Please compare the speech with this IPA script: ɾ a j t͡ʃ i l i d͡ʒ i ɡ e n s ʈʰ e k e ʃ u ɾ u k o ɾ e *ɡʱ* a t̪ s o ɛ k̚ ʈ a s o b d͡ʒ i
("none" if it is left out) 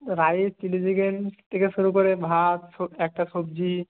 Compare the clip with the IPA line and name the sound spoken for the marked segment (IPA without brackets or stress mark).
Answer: bʱ